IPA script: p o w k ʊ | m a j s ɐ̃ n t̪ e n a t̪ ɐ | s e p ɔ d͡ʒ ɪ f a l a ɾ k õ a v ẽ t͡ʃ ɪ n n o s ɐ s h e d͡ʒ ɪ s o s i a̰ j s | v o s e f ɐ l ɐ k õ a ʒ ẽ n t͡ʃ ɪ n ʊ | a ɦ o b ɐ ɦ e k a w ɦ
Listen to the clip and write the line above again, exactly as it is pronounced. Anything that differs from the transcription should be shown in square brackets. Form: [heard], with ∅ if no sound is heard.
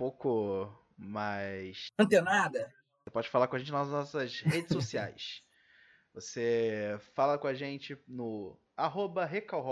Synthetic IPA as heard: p o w k ʊ | m a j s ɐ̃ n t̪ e n a [d̪] ɐ | s e p ɔ d͡ʒ ɪ f a l a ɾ k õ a [ʒ] ẽ t͡ʃ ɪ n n [ɔ] s ɐ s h e d͡ʒ ɪ s o s i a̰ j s | v o s e f [a] l ɐ k õ a ʒ ẽ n t͡ʃ ɪ n ʊ | a ɦ o b ɐ ɦ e k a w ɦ